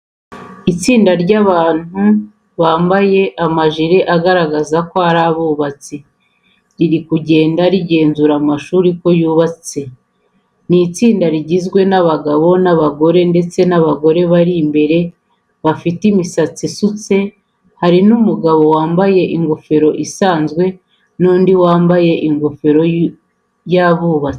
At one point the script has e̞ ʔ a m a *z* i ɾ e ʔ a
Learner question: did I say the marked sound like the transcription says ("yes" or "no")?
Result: no